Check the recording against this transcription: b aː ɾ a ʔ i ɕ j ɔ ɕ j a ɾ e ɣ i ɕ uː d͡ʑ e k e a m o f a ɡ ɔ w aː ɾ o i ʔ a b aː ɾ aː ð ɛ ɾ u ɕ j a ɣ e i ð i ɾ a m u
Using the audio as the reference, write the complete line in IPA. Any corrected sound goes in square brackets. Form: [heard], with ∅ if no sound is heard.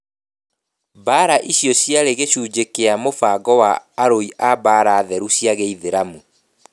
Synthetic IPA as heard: b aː ɾ a ʔ i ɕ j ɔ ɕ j a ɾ e ɣ [e] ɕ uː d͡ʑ e k e a m o f a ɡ ɔ w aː ɾ o i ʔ a b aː ɾ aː ð ɛ ɾ u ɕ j a ɣ e i ð [e] ɾ a m u